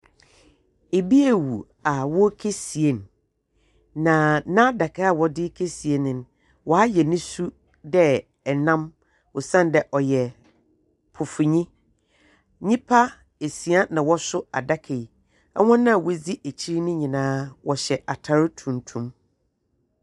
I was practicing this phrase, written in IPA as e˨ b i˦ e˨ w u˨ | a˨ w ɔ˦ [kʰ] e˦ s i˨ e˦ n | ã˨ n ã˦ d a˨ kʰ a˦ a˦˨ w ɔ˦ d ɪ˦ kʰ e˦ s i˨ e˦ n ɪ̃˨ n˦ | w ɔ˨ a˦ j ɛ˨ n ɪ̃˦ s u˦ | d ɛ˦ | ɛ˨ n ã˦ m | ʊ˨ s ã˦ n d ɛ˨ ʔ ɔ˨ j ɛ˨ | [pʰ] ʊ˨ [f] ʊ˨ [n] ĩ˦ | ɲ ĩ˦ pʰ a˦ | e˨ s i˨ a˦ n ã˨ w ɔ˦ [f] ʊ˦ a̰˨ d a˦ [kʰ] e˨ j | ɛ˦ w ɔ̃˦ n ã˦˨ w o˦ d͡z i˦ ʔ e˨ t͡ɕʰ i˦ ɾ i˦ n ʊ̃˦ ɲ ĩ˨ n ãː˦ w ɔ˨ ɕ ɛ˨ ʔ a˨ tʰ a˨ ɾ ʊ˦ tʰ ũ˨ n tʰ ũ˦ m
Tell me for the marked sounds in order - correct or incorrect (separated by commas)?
correct, correct, correct, incorrect, incorrect, correct